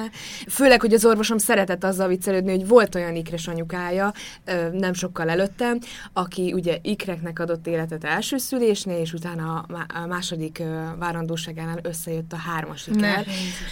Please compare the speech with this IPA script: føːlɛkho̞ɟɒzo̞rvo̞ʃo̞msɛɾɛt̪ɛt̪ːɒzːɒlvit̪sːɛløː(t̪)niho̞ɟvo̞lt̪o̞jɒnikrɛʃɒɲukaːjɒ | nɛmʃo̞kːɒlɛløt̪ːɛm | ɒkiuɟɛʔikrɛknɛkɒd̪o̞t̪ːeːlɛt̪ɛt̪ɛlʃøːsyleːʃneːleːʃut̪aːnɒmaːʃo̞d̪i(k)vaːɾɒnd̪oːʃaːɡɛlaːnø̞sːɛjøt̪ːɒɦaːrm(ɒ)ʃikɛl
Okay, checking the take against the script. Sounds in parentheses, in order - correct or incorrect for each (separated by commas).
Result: incorrect, correct, correct